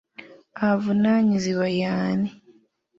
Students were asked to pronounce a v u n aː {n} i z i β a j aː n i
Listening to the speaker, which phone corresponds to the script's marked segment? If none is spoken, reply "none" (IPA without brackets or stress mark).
ɲ